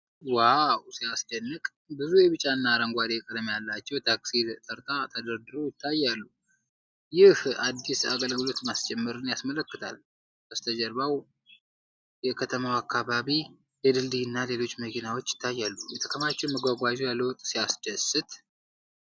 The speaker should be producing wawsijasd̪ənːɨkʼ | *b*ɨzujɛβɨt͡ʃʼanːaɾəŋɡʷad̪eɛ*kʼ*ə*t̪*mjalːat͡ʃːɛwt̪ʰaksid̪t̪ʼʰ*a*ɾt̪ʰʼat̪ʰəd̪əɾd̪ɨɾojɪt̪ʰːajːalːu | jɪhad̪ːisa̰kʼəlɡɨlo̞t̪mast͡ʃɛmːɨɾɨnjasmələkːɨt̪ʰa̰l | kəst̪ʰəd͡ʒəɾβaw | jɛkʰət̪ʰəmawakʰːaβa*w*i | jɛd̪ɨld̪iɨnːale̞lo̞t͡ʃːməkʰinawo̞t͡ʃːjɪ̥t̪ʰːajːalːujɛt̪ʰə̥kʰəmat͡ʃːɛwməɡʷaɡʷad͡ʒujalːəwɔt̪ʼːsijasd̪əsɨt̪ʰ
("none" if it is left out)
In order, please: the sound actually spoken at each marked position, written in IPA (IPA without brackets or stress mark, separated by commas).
b, kʼ, d̪, ə, β